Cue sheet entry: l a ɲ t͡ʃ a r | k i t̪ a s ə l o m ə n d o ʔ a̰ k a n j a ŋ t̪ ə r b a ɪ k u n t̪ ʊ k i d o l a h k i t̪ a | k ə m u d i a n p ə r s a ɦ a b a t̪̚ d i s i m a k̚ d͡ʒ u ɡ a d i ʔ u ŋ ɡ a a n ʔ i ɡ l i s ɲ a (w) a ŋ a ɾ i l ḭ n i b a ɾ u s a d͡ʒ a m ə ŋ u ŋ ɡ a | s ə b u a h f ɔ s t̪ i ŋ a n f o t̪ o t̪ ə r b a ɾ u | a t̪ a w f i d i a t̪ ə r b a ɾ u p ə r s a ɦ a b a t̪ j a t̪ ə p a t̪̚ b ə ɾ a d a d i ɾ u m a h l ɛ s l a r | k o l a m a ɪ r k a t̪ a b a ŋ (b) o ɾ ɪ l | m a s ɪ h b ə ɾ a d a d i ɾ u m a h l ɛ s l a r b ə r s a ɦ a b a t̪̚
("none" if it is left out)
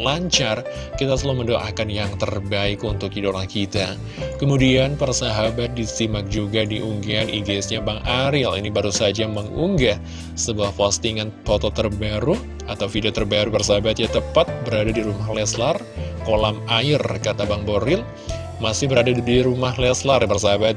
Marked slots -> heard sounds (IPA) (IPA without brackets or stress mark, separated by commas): b, b